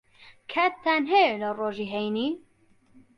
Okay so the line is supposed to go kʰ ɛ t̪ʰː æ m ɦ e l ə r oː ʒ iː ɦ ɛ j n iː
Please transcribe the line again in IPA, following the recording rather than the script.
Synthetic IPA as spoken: kʰ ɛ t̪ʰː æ n ɦ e l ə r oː ʒ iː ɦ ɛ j n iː